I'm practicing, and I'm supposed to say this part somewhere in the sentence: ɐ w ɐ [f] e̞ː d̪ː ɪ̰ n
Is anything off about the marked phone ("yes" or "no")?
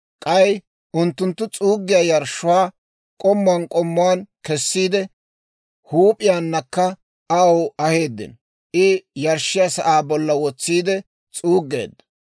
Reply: yes